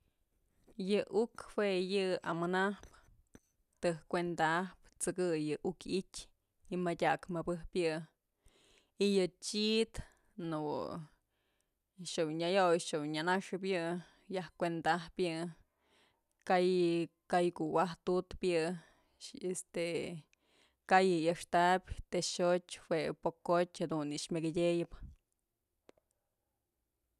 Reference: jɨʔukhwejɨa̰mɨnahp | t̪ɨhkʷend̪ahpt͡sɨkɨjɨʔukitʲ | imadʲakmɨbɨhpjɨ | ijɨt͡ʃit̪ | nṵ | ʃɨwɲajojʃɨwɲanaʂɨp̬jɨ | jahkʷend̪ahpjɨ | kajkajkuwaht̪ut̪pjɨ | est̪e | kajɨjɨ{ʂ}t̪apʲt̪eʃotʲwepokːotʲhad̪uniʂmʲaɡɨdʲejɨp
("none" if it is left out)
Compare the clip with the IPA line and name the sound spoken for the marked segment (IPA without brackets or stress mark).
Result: ʂ